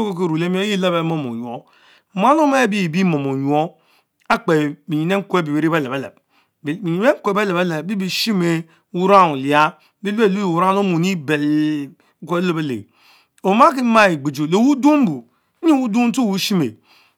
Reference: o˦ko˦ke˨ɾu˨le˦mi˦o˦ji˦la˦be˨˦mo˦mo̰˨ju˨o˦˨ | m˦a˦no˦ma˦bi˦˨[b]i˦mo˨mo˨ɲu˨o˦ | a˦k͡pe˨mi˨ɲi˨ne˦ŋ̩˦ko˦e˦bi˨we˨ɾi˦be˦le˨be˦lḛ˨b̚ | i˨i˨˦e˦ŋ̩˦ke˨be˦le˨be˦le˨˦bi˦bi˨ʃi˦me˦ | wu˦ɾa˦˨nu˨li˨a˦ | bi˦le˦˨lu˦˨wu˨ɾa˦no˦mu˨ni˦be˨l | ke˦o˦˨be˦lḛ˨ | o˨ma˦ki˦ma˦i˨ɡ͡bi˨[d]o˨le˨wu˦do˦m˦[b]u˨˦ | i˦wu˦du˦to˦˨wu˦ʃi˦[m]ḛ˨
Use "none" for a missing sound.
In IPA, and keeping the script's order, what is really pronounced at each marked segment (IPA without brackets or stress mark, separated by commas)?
b, d͡ʒ, b, m